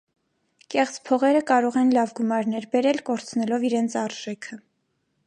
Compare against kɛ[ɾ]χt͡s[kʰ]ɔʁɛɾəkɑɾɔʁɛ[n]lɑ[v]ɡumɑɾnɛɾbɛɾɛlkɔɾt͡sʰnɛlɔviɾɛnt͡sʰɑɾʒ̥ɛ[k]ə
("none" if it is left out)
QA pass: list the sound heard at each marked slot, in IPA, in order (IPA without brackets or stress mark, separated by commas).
none, pʰ, n, v, kʰ